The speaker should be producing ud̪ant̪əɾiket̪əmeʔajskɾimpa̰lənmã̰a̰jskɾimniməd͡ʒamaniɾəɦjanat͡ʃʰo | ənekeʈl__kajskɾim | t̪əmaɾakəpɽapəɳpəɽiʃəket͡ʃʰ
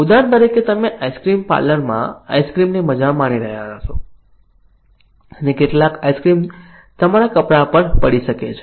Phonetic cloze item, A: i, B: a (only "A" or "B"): B